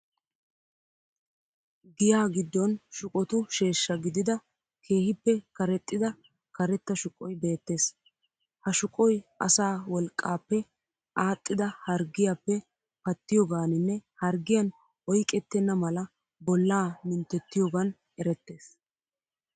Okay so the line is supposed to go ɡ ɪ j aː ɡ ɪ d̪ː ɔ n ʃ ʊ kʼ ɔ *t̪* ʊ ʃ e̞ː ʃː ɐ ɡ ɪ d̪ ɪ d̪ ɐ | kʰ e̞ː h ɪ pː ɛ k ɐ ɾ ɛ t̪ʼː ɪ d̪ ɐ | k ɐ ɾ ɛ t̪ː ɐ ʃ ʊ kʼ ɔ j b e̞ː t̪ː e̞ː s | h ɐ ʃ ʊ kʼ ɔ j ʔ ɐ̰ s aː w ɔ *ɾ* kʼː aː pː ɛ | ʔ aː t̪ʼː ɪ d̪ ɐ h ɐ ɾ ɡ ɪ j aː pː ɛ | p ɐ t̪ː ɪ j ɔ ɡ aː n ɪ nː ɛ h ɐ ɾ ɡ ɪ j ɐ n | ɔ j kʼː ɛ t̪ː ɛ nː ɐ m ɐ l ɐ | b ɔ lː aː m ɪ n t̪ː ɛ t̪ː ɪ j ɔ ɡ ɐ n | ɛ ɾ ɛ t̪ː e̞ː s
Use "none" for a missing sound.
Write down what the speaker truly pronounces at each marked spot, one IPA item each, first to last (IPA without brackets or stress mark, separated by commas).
t̪, l